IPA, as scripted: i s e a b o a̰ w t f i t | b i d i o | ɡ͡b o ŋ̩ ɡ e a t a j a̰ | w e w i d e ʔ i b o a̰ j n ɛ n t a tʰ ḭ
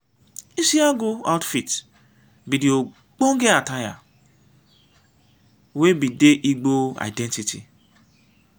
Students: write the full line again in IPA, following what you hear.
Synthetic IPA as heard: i s i a ɡ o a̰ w t f i t | b i d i o | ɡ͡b o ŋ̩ ɡ e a t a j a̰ | w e b i d e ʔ i ɡ͡b o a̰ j d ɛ n t i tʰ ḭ